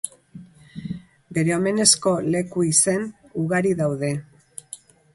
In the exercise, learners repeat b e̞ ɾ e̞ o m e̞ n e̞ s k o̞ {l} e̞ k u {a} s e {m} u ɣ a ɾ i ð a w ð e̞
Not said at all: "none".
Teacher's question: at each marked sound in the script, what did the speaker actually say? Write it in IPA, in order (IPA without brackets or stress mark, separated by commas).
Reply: l, i, n